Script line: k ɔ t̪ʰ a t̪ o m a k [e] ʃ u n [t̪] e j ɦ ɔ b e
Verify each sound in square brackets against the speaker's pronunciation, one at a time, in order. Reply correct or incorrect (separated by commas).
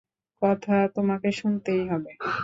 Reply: correct, correct